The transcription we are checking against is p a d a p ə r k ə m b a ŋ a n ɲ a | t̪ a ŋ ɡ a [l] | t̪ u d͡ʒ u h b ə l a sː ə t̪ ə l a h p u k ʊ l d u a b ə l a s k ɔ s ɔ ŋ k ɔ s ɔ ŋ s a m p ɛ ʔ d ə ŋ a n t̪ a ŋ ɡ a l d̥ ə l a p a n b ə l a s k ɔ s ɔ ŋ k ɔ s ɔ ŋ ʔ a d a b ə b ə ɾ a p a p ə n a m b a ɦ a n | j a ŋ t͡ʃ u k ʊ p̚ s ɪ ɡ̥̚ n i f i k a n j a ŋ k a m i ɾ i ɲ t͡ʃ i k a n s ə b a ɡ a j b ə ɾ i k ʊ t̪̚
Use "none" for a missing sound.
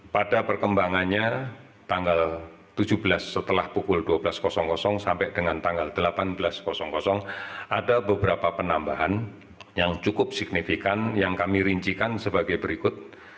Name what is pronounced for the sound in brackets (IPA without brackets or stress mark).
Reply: l